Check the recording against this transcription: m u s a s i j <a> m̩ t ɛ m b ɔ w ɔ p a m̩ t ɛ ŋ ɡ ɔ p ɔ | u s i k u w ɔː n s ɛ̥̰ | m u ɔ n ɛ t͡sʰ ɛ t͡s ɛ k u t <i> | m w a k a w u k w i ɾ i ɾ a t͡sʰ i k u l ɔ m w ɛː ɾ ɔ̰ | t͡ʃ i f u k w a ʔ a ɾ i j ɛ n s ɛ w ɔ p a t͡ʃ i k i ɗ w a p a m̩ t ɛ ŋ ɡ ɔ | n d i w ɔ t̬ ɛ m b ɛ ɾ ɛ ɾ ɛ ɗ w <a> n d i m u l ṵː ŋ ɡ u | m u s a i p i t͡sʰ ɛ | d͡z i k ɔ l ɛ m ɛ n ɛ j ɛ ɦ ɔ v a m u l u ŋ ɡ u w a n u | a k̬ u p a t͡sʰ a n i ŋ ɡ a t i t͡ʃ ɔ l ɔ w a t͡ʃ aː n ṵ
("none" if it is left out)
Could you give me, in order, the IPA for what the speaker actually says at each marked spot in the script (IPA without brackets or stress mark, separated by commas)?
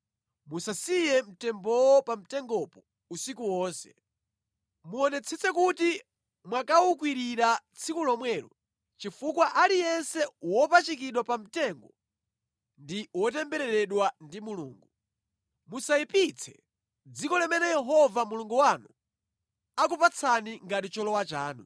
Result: ɛ, i, a